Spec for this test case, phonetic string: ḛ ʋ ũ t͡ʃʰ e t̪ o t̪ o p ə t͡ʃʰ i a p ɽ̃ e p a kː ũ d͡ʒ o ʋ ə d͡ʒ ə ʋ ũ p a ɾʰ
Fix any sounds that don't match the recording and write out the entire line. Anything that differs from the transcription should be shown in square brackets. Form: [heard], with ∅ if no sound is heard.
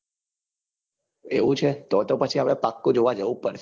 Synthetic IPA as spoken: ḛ ʋ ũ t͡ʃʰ e t̪ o t̪ o p ə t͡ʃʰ i a p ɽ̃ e p a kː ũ d͡ʒ o ʋ [a] d͡ʒ ə ʋ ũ p [ə] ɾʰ